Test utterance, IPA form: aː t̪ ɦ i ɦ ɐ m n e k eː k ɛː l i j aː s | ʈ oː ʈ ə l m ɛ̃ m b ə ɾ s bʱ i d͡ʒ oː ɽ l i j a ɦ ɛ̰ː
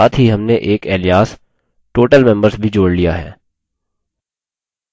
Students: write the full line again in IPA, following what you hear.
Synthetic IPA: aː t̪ ɦ i ɦ ɐ m n e ʔ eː k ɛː l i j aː s | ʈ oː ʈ ə l m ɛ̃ m b ə ɾ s bʱ i d͡ʒ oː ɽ l i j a ɦ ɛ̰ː

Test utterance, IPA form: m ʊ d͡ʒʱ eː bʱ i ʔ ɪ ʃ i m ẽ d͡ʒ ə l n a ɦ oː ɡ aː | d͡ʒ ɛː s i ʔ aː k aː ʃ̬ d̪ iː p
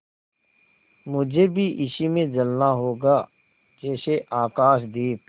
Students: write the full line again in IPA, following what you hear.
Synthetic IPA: m ʊ d͡ʒʱ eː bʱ i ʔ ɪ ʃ i m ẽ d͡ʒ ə l n a ɦ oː ɡ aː | d͡ʒ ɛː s e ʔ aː k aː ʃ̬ d̪ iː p

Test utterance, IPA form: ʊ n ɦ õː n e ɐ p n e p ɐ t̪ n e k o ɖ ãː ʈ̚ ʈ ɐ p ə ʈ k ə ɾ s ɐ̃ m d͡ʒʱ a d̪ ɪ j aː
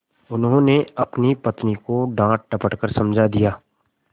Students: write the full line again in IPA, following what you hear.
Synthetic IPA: ʊ n ɦ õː n e ɐ p n i p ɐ t̪ n i k o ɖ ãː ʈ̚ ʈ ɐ p ə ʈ k ə ɾ s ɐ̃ m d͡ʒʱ a d̪ i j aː

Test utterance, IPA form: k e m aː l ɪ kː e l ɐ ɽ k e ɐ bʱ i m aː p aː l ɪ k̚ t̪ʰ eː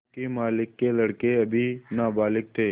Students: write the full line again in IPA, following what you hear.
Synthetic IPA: k e m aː l ɪ kː e l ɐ ɽ k e ɐ bʱ i n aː b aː l ɪ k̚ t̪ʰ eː

